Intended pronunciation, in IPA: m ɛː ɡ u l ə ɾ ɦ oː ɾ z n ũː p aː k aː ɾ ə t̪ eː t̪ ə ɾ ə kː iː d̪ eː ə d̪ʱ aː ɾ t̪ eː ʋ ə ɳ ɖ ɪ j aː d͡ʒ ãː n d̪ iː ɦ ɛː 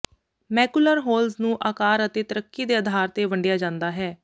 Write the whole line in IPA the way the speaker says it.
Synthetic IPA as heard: m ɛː k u l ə ɾ ɦ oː l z n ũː ʔ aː k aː ɾ ə t̪ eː t̪ ə ɾ ə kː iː d̪ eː ə d̪ʱ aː ɾ t̪ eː ʋ ə ɳ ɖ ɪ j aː d͡ʒ ãː n d̪ aː ɦ ɛː